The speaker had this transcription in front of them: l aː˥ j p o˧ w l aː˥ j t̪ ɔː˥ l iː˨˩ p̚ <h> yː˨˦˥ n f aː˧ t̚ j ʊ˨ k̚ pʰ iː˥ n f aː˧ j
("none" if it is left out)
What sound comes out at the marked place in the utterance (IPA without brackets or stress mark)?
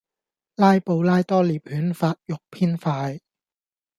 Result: h